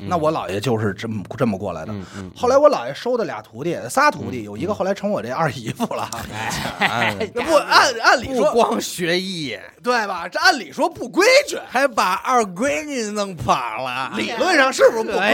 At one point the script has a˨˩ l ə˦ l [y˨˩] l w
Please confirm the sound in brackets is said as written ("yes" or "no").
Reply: no